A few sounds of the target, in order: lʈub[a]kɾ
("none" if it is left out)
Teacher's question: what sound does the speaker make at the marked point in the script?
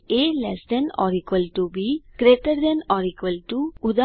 i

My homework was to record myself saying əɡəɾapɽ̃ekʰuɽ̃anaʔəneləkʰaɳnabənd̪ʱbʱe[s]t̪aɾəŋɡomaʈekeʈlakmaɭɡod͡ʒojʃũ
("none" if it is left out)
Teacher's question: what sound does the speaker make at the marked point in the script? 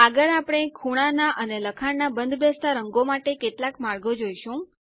s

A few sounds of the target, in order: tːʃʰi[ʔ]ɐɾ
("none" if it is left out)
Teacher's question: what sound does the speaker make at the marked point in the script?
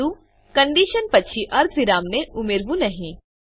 ʔ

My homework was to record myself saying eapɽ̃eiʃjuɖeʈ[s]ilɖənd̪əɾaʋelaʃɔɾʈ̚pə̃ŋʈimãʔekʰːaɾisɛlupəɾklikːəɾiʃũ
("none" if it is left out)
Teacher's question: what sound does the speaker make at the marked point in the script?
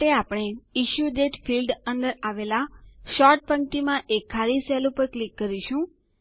f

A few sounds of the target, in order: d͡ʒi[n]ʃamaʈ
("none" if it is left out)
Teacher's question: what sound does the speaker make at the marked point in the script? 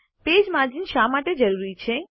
n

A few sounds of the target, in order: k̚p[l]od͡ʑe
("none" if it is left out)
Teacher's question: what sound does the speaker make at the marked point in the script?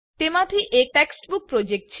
ɾ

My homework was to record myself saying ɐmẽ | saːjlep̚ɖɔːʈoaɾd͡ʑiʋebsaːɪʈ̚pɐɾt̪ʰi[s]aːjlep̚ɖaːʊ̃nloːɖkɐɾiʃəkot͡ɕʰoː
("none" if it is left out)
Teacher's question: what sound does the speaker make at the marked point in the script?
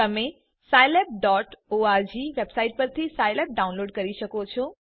s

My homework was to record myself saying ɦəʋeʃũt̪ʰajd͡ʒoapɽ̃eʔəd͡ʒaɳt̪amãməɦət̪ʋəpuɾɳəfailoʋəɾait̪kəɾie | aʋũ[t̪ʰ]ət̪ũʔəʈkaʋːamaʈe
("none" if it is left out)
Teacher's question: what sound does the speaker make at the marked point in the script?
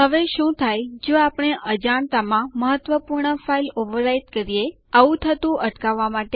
t̪ʰ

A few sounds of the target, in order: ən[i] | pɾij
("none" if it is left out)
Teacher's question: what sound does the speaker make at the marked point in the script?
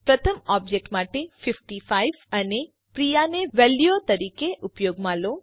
e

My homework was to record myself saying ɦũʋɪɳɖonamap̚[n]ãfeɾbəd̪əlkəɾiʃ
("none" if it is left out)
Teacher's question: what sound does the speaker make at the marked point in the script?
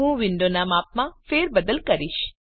m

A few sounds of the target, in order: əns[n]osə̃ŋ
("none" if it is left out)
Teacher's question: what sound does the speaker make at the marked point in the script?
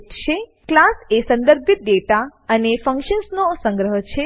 n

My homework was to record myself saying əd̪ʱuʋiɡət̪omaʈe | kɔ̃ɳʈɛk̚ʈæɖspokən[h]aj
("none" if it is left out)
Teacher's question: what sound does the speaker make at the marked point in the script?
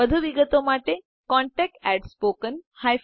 h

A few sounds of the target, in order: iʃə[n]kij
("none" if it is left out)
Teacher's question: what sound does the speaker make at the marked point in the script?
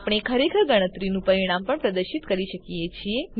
none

